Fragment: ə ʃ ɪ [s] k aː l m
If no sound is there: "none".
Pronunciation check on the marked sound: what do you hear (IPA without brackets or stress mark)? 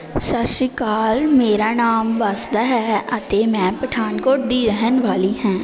none